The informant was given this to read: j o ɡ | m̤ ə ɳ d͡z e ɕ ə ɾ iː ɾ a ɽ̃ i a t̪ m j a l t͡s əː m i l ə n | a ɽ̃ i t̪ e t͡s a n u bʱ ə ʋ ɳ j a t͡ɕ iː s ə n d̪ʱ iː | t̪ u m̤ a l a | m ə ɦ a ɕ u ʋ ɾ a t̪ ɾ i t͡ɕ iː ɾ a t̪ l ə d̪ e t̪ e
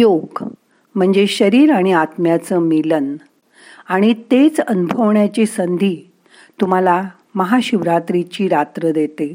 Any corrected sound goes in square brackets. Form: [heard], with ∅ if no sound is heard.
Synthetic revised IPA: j o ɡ | m̤ ə ɳ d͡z e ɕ ə ɾ iː ɾ a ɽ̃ i a t̪ m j a [∅] t͡s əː m i l ə n | a ɽ̃ i t̪ e t͡s [ə] n u bʱ ə ʋ ɳ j a t͡ɕ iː s ə n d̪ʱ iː | t̪ u m̤ a l a | m ə ɦ a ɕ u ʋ ɾ a t̪ ɾ i t͡ɕ iː ɾ a t̪ [ɾ] ə d̪ e t̪ e